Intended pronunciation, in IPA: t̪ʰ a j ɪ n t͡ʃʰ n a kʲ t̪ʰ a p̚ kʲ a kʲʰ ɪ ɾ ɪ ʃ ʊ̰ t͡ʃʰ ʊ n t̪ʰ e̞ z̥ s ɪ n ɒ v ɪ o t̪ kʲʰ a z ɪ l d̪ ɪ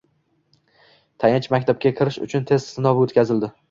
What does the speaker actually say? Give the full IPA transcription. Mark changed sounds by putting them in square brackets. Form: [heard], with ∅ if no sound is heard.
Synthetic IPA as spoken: t̪ʰ a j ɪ n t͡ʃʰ [m] a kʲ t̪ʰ a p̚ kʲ a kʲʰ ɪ ɾ ɪ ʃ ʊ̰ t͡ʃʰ ʊ n t̪ʰ e̞ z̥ s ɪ n ɒ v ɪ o t̪ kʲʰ a z ɪ l d̪ ɪ

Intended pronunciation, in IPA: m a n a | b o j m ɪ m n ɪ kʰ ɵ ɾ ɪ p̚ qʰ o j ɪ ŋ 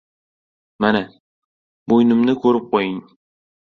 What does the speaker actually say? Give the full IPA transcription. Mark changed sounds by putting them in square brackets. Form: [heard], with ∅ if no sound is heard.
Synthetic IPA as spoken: m a n a | b o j [n] ɪ m n ɪ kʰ ɵ ɾ ɪ p̚ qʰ o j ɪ ŋ

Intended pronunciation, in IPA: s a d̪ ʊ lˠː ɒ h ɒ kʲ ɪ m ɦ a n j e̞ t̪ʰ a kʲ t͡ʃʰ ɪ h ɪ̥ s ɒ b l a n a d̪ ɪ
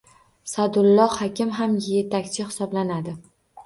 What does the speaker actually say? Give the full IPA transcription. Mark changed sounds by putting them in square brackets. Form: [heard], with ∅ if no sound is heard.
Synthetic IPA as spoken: s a d̪ ʊ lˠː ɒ h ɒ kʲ ɪ m ɦ a [m] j e̞ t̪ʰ a kʲ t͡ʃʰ ɪ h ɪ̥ s ɒ b l a n a d̪ ɪ

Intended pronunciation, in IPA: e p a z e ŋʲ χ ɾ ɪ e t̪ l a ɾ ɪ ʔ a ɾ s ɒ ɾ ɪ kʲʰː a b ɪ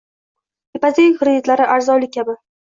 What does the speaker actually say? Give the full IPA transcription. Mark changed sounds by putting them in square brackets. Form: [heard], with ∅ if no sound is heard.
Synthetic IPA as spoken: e p a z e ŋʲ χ ɾ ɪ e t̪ l a ɾ ɪ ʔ a ɾ [z] ɒ [l] ɪ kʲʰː a b ɪ

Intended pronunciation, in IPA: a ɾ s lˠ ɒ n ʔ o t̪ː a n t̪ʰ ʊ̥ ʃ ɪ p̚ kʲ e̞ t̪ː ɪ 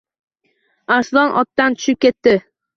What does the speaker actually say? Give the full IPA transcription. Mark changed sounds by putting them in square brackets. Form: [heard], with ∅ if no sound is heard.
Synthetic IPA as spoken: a ɾ s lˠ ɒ n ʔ [ɒ] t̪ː a n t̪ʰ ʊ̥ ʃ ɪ p̚ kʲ e̞ t̪ː ɪ

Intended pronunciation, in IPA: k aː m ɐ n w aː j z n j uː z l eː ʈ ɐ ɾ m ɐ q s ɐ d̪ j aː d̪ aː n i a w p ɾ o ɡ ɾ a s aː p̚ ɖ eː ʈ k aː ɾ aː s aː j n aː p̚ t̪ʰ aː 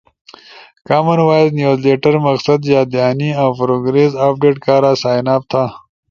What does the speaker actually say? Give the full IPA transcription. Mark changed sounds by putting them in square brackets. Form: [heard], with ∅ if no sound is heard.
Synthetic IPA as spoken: k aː m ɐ n w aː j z n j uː z l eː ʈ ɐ ɾ m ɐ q s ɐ d̪ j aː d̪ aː n i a w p ɾ o ɡ ɾ [e] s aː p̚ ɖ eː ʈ k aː ɾ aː s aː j n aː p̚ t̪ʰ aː

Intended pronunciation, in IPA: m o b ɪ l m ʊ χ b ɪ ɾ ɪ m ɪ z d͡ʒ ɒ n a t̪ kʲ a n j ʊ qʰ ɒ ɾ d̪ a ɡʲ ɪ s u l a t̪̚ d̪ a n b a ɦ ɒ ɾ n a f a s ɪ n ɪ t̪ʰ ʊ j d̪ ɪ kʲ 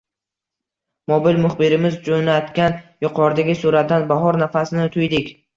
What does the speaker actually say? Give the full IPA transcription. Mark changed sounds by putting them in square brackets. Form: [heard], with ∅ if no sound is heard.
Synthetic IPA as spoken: m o b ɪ l m ʊ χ b ɪ ɾ ɪ m ɪ z d͡ʒ [o] n a t̪ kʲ a n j ʊ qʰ ɒ ɾ d̪ a ɡʲ ɪ s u [ɾ] a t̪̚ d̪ a n b a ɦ ɒ ɾ n a f a s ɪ n ɪ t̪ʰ ʊ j d̪ ɪ kʲ

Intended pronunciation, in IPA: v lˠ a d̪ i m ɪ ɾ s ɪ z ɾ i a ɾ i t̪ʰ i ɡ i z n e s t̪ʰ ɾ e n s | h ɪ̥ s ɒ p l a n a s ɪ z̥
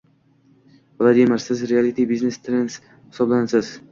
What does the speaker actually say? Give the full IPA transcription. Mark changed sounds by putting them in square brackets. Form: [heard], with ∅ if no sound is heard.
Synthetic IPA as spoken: v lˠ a d̪ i m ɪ ɾ s ɪ z ɾ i a [l] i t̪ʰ i [b] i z n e s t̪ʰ ɾ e n s | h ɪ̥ s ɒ [b] l a n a s ɪ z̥

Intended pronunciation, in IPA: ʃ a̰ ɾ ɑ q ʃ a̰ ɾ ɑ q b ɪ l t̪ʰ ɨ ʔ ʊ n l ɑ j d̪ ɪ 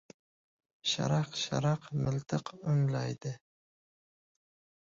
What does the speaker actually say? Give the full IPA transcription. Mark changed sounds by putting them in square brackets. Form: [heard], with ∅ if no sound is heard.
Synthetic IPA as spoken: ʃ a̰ ɾ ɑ q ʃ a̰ ɾ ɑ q [m] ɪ l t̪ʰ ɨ [q] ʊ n l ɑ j d̪ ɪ

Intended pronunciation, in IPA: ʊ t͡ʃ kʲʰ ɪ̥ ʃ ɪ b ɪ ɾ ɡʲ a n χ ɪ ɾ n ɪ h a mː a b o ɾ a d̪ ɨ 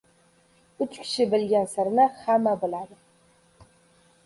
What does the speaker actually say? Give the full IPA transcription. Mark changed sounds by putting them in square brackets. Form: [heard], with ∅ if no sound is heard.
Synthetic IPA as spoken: ʊ t͡ʃ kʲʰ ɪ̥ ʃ ɪ b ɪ [l] ɡʲ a n [s] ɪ ɾ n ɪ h a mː a b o [l] a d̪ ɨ

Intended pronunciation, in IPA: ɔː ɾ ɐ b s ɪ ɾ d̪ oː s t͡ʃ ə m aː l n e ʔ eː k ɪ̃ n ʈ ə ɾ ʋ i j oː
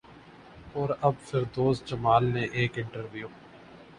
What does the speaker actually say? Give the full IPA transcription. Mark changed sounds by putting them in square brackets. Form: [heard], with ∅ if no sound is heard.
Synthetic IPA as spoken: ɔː ɾ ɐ b [f] ɪ ɾ d̪ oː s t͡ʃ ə m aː l n e ʔ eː k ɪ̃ [ɳ] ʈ ə ɾ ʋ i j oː

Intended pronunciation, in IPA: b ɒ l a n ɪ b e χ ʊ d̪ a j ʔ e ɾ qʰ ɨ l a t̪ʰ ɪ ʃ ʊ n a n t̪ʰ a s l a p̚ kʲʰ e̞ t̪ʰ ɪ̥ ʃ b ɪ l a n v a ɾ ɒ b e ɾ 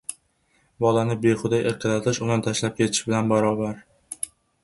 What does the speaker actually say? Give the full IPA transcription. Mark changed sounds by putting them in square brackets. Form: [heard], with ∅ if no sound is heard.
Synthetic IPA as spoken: b ɒ l a n ɪ b e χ ʊ d̪ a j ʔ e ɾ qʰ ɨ l a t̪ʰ ɪ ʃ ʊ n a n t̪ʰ a [ʃ] l a p̚ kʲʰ e̞ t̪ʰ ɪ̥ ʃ b ɪ l a n [b] a ɾ ɒ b [a] ɾ

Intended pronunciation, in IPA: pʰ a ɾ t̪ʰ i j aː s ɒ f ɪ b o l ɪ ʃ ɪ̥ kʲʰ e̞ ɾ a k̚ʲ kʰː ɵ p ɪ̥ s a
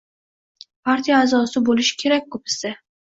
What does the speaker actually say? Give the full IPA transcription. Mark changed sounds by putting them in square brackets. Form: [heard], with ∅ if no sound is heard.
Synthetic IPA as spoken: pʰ a ɾ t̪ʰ i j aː [z] ɒ [s] ɪ b o l ɪ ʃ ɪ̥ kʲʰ e̞ ɾ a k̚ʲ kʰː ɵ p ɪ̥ s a

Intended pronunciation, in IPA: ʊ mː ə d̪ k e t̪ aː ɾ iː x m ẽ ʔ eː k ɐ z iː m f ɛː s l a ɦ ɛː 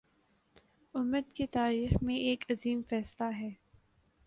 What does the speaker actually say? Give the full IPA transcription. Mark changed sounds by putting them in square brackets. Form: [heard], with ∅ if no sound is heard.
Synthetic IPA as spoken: ʊ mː ə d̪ k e t̪ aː ɾ iː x m ẽ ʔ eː k ɐ z iː m f ɛː s l a ɦ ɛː

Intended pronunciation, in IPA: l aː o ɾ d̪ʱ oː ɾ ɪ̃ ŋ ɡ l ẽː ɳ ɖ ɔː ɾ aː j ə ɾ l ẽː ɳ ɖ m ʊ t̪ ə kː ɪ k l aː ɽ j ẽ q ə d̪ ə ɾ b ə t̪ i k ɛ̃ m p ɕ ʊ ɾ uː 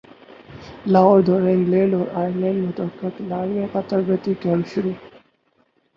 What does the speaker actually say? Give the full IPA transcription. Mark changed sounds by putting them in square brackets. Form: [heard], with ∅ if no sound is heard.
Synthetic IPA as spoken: l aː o ɾ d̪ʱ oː ɾ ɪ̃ ŋ ɡ l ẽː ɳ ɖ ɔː ɾ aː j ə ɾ l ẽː ɳ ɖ m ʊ t̪ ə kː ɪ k l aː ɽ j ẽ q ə [t̪] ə ɾ b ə t̪ i k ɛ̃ m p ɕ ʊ ɾ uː

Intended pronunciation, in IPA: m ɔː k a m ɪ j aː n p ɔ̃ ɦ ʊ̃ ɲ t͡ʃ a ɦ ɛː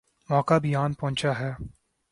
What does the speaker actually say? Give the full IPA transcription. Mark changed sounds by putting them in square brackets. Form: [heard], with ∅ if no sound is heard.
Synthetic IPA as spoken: m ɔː k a [b] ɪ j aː n p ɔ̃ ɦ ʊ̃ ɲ t͡ʃ a ɦ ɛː

